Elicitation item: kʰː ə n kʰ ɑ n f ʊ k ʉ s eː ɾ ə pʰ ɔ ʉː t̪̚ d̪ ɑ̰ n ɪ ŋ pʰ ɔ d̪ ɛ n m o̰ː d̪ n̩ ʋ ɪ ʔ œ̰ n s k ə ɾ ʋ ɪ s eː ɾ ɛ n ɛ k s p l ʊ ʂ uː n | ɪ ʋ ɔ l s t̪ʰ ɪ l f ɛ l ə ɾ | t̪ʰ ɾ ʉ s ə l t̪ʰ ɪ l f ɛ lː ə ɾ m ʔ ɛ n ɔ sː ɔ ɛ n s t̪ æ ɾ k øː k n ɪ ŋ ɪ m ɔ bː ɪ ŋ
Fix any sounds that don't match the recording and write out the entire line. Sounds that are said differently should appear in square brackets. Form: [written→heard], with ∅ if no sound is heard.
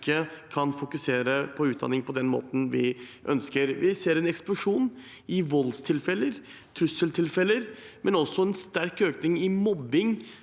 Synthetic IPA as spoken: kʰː ə [n→∅] kʰ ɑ n f ʊ k ʉ s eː ɾ ə pʰ ɔ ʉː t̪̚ d̪ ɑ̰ n ɪ ŋ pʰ ɔ d̪ ɛ n m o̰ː [d̪→t̪] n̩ ʋ ɪ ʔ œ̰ n s k ə ɾ ʋ ɪ s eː ɾ ɛ n ɛ k s p l ʊ ʂ uː n | ɪ ʋ ɔ l s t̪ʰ ɪ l f ɛ l ə ɾ | t̪ʰ ɾ ʉ s ə l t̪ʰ ɪ l f ɛ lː ə ɾ m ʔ ɛ n ɔ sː ɔ ɛ n s t̪ æ ɾ k øː k n ɪ ŋ ɪ m ɔ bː ɪ ŋ